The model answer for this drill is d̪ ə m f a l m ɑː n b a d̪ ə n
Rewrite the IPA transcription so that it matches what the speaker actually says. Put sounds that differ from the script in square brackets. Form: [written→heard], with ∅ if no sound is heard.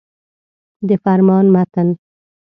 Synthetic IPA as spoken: d̪ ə [m→∅] f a [l→ɾ] m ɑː n [b→m] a [d̪→t̪] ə n